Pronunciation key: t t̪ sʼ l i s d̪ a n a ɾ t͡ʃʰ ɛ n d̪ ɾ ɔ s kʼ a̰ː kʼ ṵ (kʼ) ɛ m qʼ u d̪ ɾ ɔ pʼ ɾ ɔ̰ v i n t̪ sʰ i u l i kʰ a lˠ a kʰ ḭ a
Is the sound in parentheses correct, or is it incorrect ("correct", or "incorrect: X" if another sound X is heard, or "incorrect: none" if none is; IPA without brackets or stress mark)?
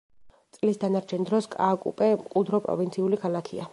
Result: incorrect: pʼ